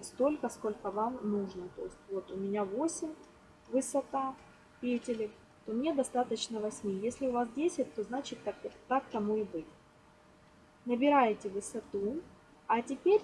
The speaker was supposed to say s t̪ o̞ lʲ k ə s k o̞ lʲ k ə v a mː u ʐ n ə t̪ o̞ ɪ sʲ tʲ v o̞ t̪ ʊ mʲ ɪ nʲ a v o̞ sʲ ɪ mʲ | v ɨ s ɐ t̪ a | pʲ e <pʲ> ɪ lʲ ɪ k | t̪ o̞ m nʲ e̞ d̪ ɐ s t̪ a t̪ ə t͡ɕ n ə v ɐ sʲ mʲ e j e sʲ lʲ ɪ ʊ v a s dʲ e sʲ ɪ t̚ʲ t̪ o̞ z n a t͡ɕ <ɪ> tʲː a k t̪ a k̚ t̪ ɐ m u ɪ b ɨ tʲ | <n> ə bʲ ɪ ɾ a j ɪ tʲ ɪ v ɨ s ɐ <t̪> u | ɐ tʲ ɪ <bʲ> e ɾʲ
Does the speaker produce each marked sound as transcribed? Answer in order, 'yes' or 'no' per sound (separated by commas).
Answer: no, yes, yes, yes, no